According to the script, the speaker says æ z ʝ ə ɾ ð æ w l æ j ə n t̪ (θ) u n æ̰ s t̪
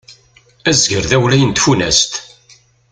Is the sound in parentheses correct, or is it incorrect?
incorrect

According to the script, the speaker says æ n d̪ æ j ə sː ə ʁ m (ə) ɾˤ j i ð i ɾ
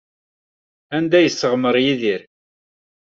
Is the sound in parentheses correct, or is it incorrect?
correct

